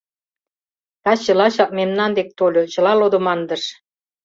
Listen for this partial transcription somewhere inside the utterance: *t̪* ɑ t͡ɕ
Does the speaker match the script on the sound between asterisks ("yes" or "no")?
yes